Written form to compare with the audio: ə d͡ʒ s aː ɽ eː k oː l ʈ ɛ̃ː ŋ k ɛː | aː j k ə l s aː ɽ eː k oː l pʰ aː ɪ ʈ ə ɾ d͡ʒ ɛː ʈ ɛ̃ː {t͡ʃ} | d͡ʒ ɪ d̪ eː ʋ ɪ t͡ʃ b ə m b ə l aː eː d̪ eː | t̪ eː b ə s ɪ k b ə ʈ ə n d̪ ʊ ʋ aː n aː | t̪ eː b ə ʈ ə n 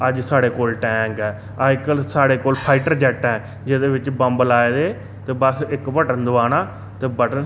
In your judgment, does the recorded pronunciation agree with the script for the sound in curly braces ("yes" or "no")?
no